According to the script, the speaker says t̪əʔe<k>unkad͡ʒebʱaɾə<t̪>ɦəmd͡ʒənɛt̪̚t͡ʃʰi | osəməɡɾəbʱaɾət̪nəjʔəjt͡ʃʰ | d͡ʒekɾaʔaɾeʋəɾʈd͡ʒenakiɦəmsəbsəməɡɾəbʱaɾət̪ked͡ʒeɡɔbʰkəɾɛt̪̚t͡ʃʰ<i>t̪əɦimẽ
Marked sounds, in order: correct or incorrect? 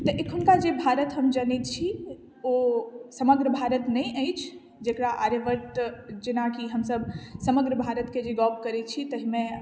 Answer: incorrect, correct, correct

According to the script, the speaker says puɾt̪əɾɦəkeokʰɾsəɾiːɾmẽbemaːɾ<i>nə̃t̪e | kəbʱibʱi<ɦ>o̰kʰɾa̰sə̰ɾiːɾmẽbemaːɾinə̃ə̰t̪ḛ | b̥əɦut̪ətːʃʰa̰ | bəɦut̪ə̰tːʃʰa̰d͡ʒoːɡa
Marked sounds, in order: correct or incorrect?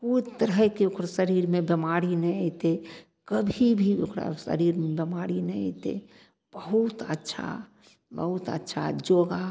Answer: correct, incorrect

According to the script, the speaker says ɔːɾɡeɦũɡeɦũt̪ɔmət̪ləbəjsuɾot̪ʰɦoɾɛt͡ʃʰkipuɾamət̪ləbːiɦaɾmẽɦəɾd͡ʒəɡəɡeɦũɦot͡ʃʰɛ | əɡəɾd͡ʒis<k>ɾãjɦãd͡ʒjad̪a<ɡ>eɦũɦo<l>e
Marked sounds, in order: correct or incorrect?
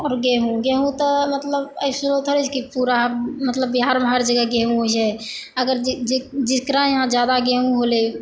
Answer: correct, correct, correct

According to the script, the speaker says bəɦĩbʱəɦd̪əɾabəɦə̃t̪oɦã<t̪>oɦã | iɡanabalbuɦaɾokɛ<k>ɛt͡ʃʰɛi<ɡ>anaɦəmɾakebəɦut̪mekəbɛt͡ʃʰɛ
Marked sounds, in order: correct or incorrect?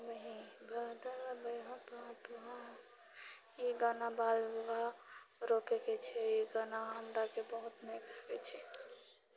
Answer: correct, correct, correct

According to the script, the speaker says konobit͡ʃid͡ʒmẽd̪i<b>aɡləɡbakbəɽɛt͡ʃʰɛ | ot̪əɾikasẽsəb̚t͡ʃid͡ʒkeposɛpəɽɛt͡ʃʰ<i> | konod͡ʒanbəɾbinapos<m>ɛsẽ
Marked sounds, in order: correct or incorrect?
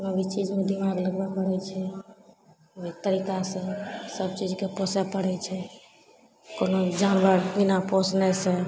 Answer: incorrect, incorrect, incorrect

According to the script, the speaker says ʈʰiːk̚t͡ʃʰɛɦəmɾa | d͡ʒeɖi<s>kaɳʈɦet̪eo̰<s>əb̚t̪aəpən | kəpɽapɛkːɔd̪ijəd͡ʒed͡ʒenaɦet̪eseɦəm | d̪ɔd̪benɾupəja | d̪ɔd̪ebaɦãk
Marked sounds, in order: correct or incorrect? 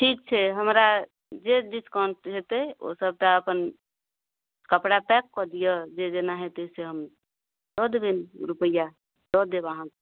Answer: correct, correct

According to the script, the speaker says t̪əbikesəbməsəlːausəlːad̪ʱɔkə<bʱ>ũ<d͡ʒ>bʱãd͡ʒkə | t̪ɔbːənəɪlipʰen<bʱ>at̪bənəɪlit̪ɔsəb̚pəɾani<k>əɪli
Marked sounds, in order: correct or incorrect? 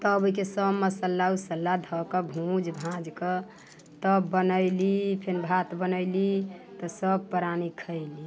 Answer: correct, correct, correct, incorrect

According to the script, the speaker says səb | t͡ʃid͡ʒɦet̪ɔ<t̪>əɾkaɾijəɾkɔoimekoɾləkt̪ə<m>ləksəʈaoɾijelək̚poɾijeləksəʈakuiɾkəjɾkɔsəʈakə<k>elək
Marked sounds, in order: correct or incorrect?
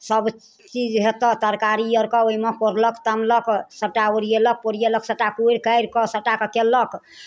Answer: correct, correct, correct

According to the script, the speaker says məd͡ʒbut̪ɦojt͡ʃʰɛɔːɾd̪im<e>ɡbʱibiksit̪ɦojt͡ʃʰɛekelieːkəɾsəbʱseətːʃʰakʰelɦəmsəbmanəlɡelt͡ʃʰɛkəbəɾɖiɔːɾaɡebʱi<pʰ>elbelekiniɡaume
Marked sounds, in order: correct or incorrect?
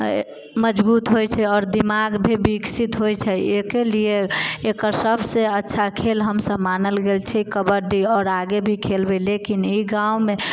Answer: incorrect, incorrect

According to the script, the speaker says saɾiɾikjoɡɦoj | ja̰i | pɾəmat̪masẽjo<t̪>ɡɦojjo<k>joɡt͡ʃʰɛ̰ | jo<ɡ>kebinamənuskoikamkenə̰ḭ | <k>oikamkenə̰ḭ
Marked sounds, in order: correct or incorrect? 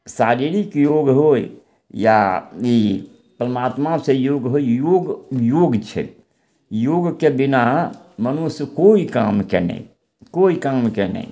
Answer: incorrect, incorrect, correct, correct

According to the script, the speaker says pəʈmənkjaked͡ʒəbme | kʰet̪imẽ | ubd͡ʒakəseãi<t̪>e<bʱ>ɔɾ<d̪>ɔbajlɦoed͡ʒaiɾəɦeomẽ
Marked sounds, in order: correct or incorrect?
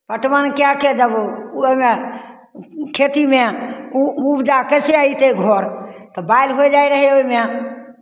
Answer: correct, incorrect, incorrect

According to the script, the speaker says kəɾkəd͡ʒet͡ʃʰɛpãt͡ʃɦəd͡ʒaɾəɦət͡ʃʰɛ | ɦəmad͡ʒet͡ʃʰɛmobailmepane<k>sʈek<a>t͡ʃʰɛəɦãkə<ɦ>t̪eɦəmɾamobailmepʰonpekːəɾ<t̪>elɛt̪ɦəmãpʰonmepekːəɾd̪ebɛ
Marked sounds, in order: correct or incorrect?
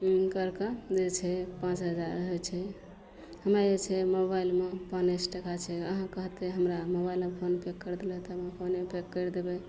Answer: incorrect, correct, correct, incorrect

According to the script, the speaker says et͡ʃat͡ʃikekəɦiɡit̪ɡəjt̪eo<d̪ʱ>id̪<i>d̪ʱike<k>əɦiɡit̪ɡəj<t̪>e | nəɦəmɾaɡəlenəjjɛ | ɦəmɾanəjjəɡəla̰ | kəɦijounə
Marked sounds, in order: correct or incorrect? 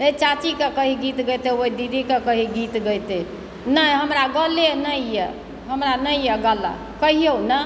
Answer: incorrect, correct, correct, correct

